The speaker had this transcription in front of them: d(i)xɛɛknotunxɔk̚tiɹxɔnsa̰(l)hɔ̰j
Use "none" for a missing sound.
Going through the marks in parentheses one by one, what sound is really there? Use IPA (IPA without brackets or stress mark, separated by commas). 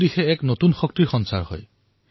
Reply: i, ɹ